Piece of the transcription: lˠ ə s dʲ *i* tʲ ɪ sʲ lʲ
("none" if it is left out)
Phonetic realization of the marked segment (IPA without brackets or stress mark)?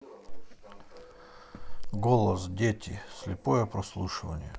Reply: e